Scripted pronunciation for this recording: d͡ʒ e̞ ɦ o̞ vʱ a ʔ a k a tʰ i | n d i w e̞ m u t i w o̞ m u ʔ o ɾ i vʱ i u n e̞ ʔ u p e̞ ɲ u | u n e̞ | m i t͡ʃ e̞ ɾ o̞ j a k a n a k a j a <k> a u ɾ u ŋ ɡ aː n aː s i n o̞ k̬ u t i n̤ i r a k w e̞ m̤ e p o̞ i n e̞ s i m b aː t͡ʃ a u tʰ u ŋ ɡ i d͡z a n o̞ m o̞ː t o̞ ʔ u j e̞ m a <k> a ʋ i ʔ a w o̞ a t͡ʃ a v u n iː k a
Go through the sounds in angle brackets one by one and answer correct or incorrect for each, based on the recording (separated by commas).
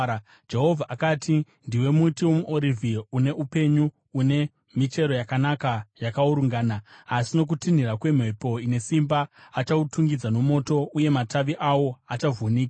correct, incorrect